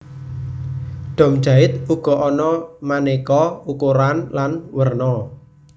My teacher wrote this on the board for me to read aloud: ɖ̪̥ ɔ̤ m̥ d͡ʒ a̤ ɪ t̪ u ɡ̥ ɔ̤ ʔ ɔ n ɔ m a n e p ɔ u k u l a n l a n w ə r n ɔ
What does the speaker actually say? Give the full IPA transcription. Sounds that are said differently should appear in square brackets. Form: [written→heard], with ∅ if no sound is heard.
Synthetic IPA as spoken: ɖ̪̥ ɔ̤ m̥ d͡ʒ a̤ ɪ t̪ u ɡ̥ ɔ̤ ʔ ɔ n ɔ m a n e [p→k] ɔ u k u [l→ɾ] a n l a n w ə r n ɔ